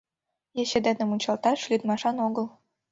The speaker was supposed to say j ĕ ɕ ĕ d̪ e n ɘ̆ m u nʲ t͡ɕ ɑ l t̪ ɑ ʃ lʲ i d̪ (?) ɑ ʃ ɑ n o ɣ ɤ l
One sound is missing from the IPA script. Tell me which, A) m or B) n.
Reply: A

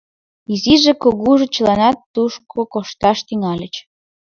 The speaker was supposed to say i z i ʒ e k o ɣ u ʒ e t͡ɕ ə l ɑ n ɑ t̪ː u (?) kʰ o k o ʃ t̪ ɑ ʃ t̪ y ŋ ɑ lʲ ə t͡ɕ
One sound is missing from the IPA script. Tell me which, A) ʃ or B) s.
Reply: A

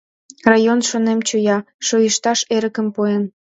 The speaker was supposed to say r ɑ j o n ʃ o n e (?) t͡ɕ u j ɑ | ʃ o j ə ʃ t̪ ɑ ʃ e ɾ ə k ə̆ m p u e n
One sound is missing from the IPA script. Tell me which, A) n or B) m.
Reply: B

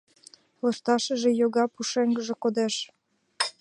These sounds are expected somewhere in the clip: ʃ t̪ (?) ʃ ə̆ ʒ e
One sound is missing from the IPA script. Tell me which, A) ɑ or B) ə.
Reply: A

